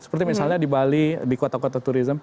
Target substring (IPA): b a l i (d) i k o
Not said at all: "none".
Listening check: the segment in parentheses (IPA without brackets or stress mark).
d